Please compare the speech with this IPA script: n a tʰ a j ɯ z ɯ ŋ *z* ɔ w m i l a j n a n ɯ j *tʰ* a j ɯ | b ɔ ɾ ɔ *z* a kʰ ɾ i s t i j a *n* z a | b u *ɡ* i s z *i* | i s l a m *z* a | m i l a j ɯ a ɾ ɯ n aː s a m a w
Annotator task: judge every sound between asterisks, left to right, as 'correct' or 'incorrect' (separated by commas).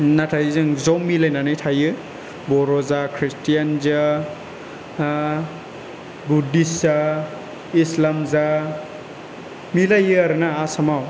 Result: correct, correct, correct, correct, incorrect, incorrect, correct